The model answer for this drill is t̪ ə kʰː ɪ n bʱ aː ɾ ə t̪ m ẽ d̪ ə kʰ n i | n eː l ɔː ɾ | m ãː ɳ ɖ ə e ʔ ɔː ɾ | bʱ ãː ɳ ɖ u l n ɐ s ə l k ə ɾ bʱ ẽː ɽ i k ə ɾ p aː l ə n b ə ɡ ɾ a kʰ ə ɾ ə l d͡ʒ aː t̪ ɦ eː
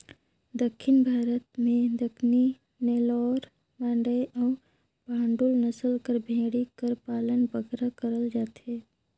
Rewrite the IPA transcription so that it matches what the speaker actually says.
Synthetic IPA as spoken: d̪ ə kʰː ɪ n bʱ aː ɾ ə t̪ m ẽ d̪ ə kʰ n i | n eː l ɔː ɾ | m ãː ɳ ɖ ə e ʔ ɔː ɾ | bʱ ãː ɳ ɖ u l n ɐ s ə l k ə ɾ bʱ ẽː ɽ i k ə ɾ p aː l ə n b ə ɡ ɾ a k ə ɾ ə l d͡ʒ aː t̪ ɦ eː